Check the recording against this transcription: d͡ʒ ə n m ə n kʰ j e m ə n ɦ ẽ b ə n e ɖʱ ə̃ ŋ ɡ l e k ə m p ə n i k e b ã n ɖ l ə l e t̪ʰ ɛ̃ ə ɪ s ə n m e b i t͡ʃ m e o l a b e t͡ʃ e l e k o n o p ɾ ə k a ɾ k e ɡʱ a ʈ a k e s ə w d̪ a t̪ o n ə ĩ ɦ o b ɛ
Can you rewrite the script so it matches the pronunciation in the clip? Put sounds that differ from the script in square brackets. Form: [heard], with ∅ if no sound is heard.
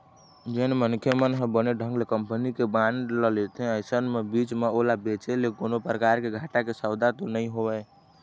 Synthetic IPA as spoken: d͡ʒ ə n m ə n kʰ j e m ə n ɦ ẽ b ə n e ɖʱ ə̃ ŋ ɡ l e k ə m p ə n i k e b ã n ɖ l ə l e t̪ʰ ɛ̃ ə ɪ s ə n m e b i t͡ʃ m e o l a b e t͡ʃ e l e k o n o p ɾ ə k a ɾ k e ɡʱ a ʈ a k e s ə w d̪ a t̪ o n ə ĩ ɦ o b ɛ

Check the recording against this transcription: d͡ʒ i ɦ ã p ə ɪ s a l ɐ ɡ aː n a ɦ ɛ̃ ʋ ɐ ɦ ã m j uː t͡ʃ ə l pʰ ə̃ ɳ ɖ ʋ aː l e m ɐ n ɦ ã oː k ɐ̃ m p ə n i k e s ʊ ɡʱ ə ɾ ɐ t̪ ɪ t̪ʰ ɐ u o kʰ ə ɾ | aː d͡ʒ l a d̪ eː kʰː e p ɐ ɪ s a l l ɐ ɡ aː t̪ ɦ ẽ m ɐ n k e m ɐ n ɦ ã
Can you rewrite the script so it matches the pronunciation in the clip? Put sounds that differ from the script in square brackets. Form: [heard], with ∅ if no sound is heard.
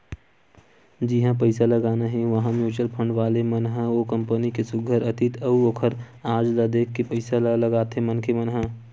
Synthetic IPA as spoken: d͡ʒ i ɦ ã p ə ɪ s a l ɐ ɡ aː n a ɦ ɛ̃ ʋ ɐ ɦ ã m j uː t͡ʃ ə l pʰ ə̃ ɳ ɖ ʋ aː l e m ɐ n ɦ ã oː k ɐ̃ m p ə n i k e s ʊ ɡʱ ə ɾ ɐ t̪ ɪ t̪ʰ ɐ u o kʰ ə ɾ | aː d͡ʒ l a d̪ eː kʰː e p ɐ ɪ s a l l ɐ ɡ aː t̪ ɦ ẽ m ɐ n k e m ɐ n ɦ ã

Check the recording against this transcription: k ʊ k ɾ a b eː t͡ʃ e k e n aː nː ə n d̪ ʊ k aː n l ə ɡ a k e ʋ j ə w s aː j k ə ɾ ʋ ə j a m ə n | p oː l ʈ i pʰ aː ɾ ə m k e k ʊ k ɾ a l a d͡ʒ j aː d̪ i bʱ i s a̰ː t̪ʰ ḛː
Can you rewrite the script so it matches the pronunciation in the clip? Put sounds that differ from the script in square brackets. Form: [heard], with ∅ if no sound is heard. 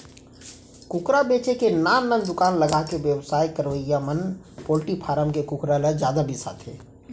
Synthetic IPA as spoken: k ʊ k ɾ a b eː t͡ʃ e k e n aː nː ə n d̪ ʊ k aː n l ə ɡ a k e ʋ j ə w s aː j k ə ɾ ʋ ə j a m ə n | p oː l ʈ i pʰ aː ɾ ə m k e k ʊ k ɾ a l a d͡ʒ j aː d̪ [a] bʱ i s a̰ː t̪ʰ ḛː

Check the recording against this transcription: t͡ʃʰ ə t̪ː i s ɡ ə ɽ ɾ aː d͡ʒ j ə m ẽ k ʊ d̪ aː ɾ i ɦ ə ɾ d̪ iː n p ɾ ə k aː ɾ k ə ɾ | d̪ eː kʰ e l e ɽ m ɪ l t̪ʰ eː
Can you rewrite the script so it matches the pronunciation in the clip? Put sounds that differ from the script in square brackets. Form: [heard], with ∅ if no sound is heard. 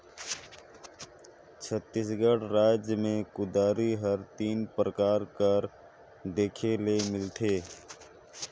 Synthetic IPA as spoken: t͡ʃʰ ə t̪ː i s ɡ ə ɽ ɾ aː d͡ʒ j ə m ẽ k ʊ d̪ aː ɾ i ɦ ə ɾ [t̪] iː n p ɾ ə k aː ɾ k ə ɾ | d̪ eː kʰ e l e [∅] m ɪ l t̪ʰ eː

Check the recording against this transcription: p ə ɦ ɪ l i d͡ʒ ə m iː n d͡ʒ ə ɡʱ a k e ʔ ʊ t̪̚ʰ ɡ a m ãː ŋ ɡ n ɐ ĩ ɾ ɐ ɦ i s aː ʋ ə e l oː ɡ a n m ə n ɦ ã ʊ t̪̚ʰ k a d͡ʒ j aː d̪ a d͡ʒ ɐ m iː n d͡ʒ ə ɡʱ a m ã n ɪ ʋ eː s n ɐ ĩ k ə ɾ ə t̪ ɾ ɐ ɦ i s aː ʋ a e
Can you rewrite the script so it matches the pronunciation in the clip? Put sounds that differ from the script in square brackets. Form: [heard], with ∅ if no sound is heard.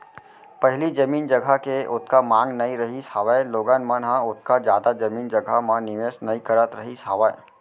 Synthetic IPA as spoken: p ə ɦ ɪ l i d͡ʒ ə m iː n d͡ʒ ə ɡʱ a k e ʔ ʊ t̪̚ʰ [k] a m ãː ŋ ɡ n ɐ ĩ ɾ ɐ ɦ i s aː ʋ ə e l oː ɡ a n m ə n ɦ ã ʊ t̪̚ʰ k a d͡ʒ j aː d̪ a d͡ʒ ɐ m iː n d͡ʒ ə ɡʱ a m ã n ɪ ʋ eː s n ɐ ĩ k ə ɾ ə t̪ ɾ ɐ ɦ i s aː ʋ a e

